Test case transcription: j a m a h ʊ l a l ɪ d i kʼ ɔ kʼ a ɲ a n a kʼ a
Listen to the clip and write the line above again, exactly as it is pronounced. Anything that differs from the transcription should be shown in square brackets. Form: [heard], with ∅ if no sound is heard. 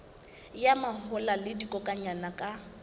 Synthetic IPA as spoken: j a m a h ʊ l a l ɪ d i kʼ ɔ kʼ a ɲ a n a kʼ a